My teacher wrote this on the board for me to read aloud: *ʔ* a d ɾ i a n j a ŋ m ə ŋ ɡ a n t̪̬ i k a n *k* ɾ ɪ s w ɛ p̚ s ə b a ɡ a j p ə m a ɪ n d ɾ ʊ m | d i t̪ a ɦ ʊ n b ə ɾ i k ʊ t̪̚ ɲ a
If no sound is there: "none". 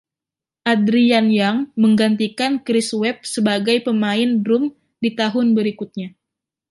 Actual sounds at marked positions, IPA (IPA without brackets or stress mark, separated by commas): ʔ, k